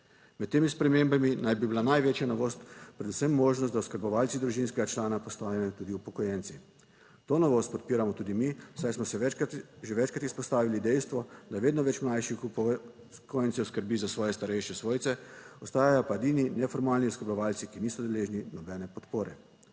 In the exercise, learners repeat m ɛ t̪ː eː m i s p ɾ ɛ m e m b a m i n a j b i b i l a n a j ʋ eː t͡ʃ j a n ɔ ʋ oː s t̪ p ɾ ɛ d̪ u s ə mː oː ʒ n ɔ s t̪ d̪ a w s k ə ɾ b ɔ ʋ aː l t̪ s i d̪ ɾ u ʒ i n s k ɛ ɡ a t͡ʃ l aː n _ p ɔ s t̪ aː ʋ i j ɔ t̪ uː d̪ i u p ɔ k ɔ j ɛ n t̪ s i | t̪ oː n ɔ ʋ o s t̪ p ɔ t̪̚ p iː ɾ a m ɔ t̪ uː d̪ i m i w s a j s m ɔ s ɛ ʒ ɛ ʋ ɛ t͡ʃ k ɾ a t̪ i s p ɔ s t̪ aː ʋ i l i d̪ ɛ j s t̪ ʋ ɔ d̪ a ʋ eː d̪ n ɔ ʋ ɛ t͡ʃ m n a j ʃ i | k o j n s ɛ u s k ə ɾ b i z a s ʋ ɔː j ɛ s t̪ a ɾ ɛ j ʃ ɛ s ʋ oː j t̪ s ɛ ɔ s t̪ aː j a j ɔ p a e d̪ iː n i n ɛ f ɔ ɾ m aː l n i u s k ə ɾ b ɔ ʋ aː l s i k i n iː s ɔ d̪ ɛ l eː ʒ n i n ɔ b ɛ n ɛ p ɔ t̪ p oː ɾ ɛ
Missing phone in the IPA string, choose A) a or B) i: A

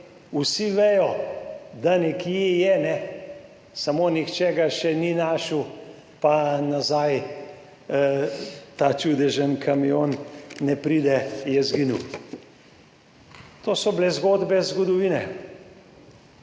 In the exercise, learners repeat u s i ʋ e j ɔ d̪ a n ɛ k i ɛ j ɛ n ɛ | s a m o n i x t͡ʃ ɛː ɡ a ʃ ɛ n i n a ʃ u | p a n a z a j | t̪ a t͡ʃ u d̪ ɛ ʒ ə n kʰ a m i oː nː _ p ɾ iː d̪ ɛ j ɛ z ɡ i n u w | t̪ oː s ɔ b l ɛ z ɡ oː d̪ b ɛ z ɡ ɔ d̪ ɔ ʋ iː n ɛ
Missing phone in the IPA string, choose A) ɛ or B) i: A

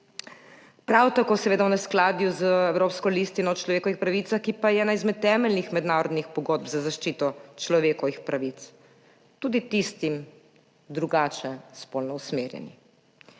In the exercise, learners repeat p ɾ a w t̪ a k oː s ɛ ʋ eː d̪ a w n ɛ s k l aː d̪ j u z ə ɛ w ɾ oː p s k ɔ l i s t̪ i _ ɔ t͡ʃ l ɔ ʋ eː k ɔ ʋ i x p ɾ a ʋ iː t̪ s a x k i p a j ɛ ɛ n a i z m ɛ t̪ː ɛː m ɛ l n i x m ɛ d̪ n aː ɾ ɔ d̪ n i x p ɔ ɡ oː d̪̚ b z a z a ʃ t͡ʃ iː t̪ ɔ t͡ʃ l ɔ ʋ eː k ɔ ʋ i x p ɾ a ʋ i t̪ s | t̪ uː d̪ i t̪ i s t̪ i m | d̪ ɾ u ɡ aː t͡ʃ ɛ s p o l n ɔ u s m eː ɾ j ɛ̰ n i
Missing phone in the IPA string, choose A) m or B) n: B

